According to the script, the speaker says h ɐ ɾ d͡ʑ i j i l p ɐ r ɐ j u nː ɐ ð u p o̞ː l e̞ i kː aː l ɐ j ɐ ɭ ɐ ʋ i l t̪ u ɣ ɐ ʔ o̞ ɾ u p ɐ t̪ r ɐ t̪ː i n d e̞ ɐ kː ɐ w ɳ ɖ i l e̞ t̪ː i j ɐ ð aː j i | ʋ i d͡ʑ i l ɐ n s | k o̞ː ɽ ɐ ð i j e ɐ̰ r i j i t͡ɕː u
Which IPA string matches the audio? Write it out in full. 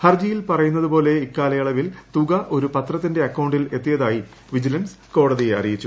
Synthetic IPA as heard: h ɐ r d͡ʑ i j i l p ɐ r ɐ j u nː ɐ ð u p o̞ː l e̞ i kː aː l ɐ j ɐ ɭ ɐ ʋ i l t̪ u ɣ ɐ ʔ o̞ ɾ u p ɐ t̪ r ɐ t̪ː i n d e̞ ɐ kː ɐ w ɳ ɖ i l e̞ t̪ː i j ɐ ð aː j i | ʋ i d͡ʑ i l ɐ n s | k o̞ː ɽ ɐ ð i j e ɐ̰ r i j i t͡ɕː u